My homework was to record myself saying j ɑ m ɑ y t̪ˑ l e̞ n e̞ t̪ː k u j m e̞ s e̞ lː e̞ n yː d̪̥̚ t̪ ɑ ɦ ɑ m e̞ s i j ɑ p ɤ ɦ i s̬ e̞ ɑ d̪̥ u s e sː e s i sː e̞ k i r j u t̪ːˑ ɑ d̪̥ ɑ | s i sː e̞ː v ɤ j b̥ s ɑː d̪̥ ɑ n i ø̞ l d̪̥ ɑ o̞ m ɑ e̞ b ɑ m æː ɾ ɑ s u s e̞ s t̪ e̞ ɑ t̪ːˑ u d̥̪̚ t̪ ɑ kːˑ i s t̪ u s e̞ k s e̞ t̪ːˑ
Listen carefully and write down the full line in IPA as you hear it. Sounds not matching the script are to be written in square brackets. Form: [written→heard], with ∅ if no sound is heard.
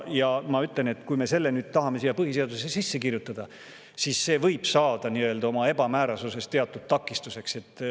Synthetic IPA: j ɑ m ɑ y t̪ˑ l e̞ n e̞ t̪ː k u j m e̞ s e̞ lː e̞ n yː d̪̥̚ t̪ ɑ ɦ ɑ m e̞ s i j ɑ p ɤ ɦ i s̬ e̞ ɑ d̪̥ u s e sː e s i sː e̞ k i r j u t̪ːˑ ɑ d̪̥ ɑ | s i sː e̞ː v ɤ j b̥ s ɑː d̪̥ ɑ n i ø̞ l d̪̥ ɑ o̞ m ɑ e̞ b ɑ m æː ɾ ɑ s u s e̞ s t̪ e̞ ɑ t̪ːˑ u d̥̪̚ t̪ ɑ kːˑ i s t̪ u s e̞ k s e̞ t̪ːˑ